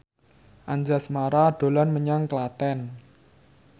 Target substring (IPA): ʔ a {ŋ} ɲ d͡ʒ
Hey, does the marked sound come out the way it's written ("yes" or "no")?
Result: no